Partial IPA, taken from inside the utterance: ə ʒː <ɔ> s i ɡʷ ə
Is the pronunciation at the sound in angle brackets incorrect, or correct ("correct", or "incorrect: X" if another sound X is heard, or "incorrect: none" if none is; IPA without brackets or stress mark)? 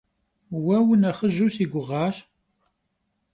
incorrect: u